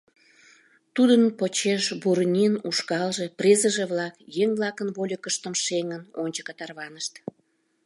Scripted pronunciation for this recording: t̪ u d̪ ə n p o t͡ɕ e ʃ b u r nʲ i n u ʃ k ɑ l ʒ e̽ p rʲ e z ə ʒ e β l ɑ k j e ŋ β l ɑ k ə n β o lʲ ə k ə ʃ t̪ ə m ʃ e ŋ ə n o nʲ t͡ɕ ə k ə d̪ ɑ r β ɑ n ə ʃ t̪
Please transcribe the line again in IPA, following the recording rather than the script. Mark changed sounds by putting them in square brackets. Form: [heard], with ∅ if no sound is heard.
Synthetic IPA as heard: t̪ u d̪ ə n p o t͡ɕ e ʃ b u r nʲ i n u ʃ k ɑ l ʒ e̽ p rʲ e z ə ʒ e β l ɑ k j e ŋ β l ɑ k ə n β o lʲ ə k ə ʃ t̪ ə m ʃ e ŋ ə n o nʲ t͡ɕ ə k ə [t̪] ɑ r β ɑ n ə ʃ t̪

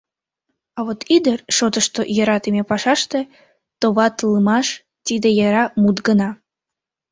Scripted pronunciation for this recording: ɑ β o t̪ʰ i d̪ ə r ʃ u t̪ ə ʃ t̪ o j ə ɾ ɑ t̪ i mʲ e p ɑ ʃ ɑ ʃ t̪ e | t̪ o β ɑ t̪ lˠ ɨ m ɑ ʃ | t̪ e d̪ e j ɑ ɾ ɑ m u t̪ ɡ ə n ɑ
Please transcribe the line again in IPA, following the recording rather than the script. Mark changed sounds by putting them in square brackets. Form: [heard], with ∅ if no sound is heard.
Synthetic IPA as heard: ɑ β o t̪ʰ i d̪ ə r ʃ [o] t̪ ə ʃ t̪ o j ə ɾ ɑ t̪ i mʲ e p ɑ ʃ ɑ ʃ t̪ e | t̪ o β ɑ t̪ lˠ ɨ m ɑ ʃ | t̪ [i] d̪ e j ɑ ɾ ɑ m u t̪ ɡ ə n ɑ

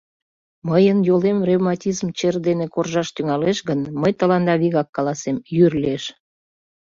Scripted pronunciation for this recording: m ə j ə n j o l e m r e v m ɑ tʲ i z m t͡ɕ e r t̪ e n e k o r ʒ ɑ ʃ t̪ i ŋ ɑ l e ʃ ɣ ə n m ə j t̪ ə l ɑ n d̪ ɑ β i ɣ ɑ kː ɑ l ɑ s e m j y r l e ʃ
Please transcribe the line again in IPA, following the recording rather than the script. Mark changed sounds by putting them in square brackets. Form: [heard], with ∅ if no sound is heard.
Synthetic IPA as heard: m ə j ə n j o l e m r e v m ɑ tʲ i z m t͡ɕ e r [d̪] e n e k o r ʒ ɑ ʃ t̪ [y] ŋ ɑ l e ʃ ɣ ə n m ə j t̪ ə l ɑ n d̪ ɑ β i ɣ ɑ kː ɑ l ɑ s e m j y r l e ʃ

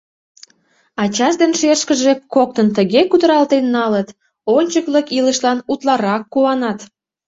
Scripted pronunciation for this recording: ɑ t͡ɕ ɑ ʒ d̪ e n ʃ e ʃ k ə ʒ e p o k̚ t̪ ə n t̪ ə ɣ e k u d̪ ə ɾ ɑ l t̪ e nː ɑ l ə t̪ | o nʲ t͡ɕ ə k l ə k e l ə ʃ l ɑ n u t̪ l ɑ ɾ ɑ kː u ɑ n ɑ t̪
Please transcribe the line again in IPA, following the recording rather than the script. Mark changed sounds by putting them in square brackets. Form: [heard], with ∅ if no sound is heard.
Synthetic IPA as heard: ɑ t͡ɕ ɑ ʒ d̪ e n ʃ e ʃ k ə ʒ e [k] o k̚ t̪ ə n t̪ ə ɣ e k u d̪ ə ɾ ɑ l t̪ e nː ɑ l ə t̪ | o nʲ t͡ɕ ə k l ə k [i] l ə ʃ l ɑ n u t̪ l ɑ ɾ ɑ kː u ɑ n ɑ t̪

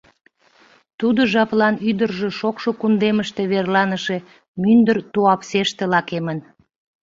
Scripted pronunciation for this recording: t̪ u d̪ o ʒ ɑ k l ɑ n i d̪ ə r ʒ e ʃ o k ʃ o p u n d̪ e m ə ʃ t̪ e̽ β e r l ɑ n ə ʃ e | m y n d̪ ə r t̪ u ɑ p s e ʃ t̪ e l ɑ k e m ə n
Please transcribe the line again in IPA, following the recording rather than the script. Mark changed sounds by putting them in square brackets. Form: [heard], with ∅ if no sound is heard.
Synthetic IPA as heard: t̪ u d̪ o ʒ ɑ [p] l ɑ n [y] d̪ ə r ʒ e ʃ o k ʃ o [k] u n d̪ e m ə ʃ t̪ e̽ β e r l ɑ n ə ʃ e | m y n d̪ ə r t̪ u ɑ p s e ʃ t̪ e l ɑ k e m ə n

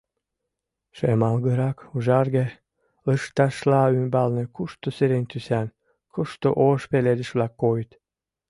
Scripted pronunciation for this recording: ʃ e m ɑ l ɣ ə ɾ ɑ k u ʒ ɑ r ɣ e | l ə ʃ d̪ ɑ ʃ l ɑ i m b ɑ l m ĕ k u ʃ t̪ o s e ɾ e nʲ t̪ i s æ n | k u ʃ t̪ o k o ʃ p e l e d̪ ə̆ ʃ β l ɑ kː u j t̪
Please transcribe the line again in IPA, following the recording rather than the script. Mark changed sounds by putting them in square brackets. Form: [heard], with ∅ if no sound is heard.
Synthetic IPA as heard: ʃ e m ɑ l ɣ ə ɾ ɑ k u ʒ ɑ r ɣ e | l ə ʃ [t̪] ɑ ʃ l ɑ [y] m b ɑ l [n] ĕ k u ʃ t̪ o s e ɾ e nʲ t̪ [y] s æ n | k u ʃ t̪ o [ʔ] o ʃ p e l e d̪ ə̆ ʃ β l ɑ kː [o] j t̪

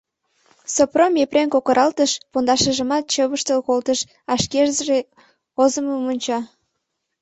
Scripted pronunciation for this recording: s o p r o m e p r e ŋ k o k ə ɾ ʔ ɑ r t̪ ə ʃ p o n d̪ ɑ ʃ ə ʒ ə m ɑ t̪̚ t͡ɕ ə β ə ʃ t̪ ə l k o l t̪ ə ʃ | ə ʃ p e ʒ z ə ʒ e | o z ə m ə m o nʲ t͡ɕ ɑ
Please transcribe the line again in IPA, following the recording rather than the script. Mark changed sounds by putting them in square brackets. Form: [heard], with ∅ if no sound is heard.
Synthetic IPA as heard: s o p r o m e p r e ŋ k o k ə ɾ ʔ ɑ [l] t̪ ə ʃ p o n d̪ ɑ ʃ ə ʒ ə m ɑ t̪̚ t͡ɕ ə β ə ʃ t̪ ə l k o l t̪ ə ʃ | [ɑ] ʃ [k] e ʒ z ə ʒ e | o z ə m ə m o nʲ t͡ɕ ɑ

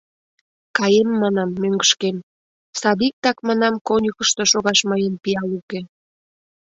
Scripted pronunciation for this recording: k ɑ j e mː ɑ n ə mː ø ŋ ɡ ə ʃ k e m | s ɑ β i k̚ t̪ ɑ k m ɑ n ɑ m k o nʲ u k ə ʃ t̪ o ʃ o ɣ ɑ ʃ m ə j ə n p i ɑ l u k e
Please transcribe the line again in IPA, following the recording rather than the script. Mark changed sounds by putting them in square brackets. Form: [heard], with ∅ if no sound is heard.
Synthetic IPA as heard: k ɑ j e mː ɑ n [ɑ] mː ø ŋ ɡ ə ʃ k e m | s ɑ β i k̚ t̪ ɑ k m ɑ n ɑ m k o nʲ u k ə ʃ t̪ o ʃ o ɣ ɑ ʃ m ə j ə n p i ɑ l u k e

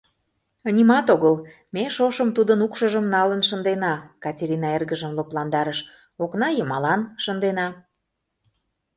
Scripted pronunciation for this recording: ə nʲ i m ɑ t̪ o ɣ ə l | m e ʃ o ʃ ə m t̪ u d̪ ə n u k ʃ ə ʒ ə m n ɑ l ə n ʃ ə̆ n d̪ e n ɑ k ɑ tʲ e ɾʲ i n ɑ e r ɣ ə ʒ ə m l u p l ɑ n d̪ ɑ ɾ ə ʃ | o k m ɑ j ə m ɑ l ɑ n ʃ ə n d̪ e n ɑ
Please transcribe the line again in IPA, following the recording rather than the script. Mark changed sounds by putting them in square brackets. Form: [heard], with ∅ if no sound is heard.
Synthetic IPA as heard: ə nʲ i m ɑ t̪ o ɣ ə l | m e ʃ o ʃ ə m t̪ u d̪ ə n u k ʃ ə ʒ ə m n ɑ l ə n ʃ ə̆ n d̪ e n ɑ k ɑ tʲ e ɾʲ i n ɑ e r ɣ ə ʒ ə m l [o] p l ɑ n d̪ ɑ ɾ ə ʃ | o k [n] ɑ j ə m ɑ l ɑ n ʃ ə n d̪ e n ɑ

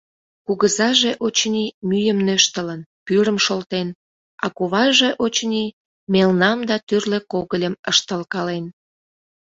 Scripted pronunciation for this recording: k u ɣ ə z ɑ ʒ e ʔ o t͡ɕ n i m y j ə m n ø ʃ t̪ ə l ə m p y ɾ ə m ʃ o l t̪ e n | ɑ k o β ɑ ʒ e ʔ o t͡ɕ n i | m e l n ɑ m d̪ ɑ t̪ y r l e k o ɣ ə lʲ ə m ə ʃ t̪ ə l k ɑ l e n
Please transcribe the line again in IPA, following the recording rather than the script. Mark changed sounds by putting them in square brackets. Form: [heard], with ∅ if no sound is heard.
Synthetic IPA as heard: k u ɣ ə z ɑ ʒ e ʔ o t͡ɕ n i m y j ə m n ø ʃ t̪ ə l ə [n] p y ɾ ə m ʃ o l t̪ e n | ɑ k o β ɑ ʒ e ʔ o t͡ɕ n i | m e l n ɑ m d̪ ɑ t̪ y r l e k o ɣ ə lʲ ə m ə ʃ t̪ ə l k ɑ l e n

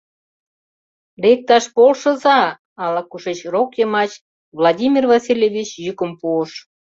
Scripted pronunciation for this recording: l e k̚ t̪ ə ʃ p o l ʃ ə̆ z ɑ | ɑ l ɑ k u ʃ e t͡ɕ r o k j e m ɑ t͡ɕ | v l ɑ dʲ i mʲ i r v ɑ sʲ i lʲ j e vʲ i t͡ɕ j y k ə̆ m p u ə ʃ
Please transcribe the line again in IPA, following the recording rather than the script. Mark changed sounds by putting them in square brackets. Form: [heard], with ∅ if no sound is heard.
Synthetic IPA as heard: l e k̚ t̪ [ɑ] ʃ p o l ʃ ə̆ z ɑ | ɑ l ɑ k u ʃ e t͡ɕ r o k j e m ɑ t͡ɕ | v l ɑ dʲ i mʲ i r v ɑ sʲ i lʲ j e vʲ i t͡ɕ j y k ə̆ m p u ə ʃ

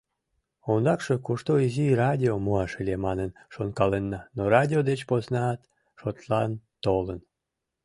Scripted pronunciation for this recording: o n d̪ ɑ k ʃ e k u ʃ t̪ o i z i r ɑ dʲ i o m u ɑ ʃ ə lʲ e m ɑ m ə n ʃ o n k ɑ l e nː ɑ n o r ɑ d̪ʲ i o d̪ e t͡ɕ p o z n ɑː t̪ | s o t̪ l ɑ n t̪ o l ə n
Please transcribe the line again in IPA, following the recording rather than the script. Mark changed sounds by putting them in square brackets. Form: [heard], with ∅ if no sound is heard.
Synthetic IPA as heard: o n d̪ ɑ k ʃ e k u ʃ t̪ o i z i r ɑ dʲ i o m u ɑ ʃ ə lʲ e m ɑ [n] ə n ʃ o n k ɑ l e nː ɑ n o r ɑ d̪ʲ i o d̪ e t͡ɕ p o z n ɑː t̪ | [ʃ] o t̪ l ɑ n t̪ o l ə n

